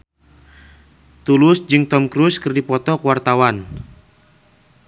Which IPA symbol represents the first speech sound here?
t̪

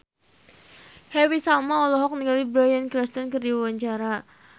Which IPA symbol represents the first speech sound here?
h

